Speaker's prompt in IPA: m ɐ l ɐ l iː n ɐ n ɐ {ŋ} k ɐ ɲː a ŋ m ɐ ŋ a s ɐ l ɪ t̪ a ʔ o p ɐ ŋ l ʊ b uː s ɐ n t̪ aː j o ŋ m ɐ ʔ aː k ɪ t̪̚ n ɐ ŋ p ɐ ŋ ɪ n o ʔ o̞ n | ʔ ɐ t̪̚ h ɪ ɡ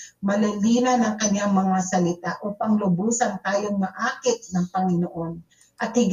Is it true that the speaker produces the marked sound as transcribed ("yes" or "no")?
yes